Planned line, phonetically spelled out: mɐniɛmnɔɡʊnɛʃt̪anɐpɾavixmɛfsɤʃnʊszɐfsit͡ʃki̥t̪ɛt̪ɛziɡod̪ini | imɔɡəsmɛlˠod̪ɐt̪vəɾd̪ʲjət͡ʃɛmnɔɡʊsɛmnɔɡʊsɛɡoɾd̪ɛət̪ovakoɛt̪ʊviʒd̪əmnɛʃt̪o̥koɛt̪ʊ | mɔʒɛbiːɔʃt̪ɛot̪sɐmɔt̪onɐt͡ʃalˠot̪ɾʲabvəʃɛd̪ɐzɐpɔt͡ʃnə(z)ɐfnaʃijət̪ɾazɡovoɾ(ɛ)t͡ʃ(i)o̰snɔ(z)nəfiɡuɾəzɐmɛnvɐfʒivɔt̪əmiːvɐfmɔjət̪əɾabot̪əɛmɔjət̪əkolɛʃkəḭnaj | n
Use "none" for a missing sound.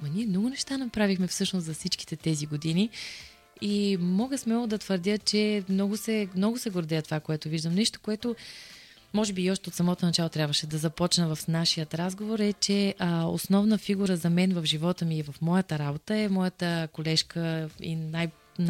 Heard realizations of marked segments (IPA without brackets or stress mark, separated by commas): v, ɛ, ɛ, v